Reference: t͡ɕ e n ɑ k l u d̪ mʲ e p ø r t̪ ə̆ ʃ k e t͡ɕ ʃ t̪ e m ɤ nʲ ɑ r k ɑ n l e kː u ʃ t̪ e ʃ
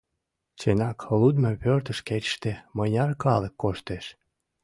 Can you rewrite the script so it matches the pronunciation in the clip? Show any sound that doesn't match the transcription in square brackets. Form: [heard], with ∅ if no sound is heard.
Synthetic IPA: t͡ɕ e n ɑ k l u d̪ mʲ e p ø r t̪ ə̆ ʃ k e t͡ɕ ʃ t̪ e m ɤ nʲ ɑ r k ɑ [∅] l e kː [o] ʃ t̪ e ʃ